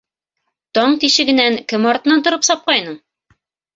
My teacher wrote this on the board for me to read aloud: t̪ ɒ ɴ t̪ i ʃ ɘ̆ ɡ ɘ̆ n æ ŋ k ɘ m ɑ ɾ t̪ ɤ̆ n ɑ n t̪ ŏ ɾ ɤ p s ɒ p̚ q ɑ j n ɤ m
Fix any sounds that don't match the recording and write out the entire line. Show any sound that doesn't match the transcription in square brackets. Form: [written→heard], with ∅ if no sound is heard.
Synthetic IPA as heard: t̪ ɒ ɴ t̪ i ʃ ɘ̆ ɡ ɘ̆ n æ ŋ k ɘ m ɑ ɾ t̪ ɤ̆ n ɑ n t̪ ŏ ɾ ɤ p s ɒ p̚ q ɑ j n ɤ [m→ɴ]